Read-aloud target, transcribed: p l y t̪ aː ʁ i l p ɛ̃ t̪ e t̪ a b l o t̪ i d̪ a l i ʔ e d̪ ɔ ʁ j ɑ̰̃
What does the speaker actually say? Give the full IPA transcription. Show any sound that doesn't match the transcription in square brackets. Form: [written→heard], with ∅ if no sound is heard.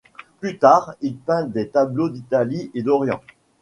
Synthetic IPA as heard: p l y t̪ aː ʁ i l p ɛ̃ [t̪→d̪] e t̪ a b l o [t̪→d̪] i [d̪→t̪] a l i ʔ e d̪ ɔ ʁ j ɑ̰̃